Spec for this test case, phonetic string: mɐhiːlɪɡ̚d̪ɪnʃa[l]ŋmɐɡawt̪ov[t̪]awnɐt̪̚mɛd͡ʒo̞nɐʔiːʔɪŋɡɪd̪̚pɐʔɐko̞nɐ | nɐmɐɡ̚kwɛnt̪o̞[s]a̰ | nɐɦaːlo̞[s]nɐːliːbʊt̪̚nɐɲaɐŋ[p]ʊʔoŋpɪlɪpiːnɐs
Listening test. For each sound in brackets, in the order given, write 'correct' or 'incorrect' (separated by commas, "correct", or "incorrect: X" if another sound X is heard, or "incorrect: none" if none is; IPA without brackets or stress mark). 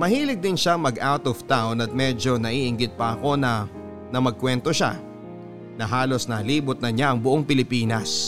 incorrect: none, correct, incorrect: ʃ, correct, incorrect: b